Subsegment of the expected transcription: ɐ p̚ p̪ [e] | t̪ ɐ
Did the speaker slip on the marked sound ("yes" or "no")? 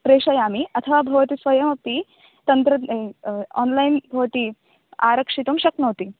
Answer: yes